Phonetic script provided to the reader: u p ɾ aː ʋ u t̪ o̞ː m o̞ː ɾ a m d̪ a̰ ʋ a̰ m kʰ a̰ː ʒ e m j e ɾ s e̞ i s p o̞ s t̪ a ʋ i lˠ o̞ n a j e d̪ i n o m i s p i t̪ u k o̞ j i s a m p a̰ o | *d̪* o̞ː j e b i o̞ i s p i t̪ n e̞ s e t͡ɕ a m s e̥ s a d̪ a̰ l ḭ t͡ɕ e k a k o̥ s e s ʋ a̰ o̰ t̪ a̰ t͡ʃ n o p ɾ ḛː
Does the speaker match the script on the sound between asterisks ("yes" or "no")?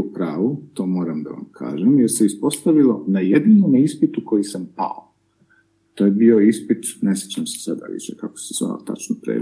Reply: no